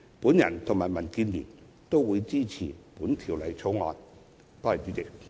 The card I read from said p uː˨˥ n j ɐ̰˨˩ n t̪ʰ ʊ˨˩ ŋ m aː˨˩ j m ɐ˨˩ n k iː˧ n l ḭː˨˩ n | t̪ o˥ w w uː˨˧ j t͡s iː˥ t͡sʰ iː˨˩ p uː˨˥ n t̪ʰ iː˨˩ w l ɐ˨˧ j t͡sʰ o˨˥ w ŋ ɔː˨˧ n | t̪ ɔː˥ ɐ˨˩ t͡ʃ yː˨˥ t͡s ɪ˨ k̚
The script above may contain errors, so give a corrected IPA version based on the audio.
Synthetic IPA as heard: p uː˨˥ n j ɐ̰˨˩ n t̪ʰ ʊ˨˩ ŋ m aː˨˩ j m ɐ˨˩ n k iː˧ n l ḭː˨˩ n | t̪ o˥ w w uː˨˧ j t͡s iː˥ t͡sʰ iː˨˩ p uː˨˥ n t̪ʰ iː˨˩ w l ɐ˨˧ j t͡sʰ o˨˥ w ŋ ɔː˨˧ n | t̪ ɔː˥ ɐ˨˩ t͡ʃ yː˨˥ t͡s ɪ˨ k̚

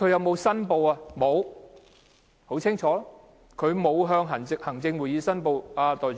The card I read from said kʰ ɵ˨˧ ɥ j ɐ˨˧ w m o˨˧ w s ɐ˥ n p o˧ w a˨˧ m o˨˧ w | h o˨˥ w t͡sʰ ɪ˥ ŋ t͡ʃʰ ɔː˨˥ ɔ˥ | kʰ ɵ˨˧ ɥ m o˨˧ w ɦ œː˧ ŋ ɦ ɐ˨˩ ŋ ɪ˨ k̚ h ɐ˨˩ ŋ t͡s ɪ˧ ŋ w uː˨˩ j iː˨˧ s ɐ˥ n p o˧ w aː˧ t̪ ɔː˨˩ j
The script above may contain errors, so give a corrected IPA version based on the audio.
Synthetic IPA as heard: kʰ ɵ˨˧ ɥ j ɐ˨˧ w m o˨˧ w s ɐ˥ n p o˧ w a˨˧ m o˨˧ w | h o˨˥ w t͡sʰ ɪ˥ ŋ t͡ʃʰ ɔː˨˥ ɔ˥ | kʰ ɵ˨˧ ɥ m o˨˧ w ɦ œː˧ ŋ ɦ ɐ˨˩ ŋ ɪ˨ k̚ h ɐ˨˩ ŋ t͡s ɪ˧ ŋ w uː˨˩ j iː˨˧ s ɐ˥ n p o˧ w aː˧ t̪ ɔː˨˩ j

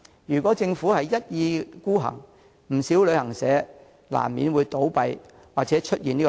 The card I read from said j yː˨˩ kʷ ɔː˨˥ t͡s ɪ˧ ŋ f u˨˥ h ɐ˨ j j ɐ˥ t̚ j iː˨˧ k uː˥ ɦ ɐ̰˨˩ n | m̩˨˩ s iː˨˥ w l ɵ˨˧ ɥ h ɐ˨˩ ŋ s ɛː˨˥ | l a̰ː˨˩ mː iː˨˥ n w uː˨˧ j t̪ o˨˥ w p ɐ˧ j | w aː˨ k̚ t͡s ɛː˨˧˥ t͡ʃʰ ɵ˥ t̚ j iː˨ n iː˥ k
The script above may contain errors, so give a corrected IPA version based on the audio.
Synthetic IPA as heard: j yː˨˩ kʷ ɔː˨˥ t͡s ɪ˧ ŋ f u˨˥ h ɐ˨ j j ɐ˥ t̚ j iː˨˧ k uː˥ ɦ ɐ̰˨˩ ŋ | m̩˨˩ s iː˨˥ w l ɵ˨˧ ɥ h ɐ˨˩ ŋ s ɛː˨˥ | l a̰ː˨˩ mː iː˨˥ n w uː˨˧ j t̪ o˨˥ w p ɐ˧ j | w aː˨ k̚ t͡s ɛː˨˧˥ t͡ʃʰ ɵ˥ t̚ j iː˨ n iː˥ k

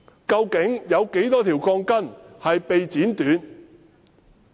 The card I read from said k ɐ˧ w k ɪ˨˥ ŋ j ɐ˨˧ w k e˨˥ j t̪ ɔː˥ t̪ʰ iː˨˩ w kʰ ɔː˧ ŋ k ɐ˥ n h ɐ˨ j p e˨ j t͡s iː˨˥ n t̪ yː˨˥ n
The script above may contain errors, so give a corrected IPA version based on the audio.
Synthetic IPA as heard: k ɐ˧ w k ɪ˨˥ ŋ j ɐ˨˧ w k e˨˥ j t̪ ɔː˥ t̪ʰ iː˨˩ w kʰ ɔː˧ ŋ k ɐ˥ n h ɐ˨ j p e˨ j t͡s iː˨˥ n t̪ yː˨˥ n

